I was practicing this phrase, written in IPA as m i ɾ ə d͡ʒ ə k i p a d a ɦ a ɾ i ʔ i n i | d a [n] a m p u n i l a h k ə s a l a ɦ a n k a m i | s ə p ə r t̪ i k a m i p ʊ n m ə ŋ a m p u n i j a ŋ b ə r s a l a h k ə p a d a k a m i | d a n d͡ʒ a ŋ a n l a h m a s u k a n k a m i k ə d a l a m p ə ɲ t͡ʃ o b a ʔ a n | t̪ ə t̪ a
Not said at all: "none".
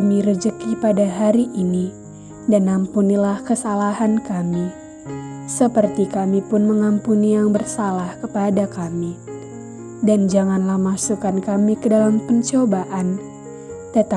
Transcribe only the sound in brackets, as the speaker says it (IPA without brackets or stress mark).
n